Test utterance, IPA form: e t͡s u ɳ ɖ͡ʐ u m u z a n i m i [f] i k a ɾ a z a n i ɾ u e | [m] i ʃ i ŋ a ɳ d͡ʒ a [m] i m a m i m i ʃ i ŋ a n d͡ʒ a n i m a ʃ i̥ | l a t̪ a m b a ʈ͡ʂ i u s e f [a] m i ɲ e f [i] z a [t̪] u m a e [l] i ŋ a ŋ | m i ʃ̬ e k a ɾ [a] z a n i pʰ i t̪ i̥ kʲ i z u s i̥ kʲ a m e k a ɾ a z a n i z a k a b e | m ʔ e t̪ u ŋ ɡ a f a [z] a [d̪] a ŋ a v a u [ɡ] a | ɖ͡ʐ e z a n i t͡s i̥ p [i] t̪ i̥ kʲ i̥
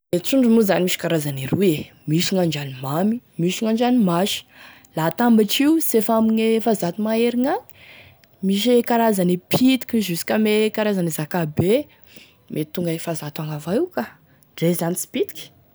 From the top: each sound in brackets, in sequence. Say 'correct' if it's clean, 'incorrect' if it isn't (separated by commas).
incorrect, correct, incorrect, correct, incorrect, correct, incorrect, correct, correct, incorrect, incorrect, correct